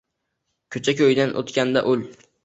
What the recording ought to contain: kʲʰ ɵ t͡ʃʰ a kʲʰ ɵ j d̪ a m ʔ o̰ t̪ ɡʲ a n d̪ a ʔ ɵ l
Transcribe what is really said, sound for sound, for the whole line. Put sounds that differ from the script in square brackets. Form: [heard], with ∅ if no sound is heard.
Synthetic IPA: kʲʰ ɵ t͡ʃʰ a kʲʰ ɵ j d̪ a [n] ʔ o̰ t̪ [kʲ] a n d̪ a ʔ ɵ l